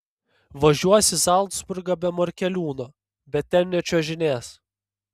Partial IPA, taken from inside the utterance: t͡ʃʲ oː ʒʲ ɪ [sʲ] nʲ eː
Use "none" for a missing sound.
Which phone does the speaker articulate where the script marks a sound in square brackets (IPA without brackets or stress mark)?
none